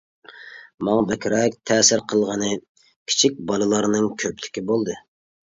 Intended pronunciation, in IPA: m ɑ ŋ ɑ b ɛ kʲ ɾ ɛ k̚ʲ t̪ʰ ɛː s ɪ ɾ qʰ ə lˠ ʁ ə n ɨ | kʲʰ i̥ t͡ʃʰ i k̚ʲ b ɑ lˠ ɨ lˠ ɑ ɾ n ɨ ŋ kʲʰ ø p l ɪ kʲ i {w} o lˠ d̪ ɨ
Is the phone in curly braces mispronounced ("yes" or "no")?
yes